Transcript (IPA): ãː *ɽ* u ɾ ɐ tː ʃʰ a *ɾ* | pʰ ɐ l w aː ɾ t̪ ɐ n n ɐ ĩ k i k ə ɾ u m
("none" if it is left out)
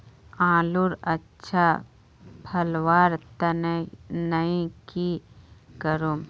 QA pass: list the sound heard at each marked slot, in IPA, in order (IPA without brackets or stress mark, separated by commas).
l, none